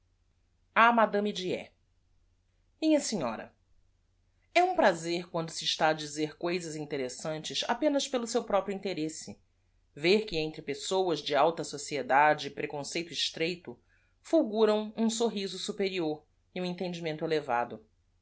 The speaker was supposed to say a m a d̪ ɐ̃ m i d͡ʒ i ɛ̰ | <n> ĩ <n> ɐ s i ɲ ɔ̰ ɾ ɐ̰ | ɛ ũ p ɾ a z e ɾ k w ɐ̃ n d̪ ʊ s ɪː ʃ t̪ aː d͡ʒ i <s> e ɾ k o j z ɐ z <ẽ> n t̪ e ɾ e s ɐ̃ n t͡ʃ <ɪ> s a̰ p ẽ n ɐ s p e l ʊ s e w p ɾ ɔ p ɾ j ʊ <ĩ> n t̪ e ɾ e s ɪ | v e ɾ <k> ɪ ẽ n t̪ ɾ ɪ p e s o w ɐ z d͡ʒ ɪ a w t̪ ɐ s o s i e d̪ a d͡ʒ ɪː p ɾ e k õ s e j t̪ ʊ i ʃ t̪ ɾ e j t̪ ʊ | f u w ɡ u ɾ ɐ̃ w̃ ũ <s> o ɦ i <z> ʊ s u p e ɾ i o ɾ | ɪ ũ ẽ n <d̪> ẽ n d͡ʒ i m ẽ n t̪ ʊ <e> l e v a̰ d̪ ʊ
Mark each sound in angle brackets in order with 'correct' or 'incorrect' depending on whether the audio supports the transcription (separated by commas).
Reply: incorrect, incorrect, incorrect, incorrect, correct, correct, correct, correct, correct, incorrect, correct